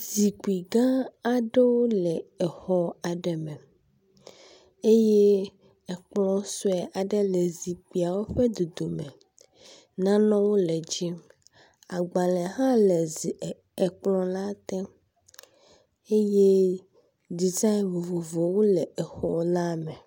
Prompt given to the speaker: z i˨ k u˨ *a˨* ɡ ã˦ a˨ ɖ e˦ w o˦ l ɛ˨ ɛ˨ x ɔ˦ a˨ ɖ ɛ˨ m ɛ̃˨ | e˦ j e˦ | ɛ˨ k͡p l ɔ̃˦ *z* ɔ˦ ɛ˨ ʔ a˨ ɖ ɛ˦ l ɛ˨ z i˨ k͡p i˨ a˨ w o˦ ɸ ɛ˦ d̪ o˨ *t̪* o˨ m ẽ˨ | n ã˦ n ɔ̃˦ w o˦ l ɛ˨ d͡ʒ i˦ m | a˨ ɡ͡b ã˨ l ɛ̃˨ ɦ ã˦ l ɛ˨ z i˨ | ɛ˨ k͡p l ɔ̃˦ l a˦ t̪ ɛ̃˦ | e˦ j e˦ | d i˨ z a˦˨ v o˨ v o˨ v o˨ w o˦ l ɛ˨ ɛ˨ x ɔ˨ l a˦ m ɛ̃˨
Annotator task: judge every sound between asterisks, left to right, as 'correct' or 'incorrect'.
incorrect: i˨, incorrect: s, incorrect: d̪

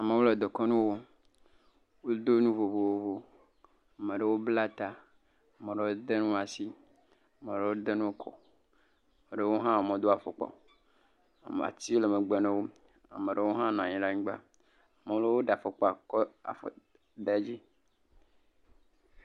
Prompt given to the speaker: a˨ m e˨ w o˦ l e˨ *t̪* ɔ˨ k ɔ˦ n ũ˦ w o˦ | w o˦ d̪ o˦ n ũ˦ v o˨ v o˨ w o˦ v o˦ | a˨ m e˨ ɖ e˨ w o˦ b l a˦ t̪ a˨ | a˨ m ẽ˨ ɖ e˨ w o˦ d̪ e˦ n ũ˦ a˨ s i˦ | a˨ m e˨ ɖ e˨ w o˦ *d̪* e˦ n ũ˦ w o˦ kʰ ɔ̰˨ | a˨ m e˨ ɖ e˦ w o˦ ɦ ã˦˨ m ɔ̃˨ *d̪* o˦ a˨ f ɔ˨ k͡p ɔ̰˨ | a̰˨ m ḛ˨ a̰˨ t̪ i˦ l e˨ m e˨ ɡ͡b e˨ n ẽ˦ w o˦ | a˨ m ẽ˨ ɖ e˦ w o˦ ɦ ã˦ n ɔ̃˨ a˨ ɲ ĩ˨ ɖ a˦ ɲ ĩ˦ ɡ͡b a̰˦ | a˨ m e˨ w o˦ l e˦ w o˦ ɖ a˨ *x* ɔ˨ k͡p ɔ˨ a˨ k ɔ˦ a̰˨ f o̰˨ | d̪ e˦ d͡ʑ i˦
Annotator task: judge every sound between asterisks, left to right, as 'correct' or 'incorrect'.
incorrect: d̪, correct, correct, incorrect: f

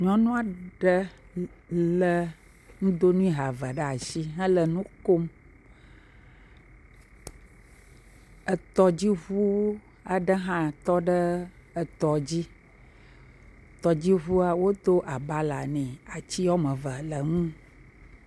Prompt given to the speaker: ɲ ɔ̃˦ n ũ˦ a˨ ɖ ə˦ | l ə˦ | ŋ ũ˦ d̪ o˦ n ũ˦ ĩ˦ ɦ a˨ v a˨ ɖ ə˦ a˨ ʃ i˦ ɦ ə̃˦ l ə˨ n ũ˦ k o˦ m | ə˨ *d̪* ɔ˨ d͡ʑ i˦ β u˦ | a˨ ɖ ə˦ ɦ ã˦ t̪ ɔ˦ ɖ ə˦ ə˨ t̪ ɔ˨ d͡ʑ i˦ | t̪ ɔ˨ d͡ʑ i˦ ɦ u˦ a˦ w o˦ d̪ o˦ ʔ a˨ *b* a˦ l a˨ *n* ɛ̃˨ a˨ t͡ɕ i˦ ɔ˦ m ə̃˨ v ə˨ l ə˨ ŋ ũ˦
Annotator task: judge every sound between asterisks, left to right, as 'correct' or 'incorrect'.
incorrect: t̪, correct, correct

